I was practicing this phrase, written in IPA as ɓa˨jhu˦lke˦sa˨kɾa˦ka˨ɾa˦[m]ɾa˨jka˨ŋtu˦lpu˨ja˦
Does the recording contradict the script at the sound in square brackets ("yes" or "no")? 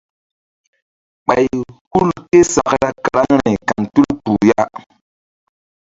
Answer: yes